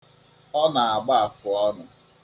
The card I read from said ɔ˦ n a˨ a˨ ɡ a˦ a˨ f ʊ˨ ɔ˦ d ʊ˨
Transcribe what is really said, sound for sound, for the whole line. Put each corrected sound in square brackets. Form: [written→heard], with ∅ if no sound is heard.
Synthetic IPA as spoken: ɔ˦ n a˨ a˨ [ɡ→ɡ͡b] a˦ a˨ f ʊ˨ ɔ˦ [d→n] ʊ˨